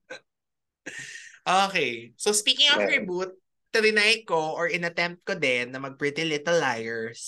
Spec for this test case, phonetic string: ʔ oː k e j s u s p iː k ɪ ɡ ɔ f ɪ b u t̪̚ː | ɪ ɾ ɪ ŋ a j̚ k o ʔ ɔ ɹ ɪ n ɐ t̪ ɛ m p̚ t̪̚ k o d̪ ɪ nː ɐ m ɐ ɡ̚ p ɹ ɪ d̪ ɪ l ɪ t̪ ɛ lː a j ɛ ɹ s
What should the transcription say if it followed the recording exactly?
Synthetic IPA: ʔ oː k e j s o s p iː k ɪ ŋ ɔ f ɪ b u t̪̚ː | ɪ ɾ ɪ n a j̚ k o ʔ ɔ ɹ ɪ n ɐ t̪ ɛ m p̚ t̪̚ k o d̪ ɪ nː ɐ m ɐ ɡ̚ p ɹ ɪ t̪ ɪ l ɪ t̪ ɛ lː a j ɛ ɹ s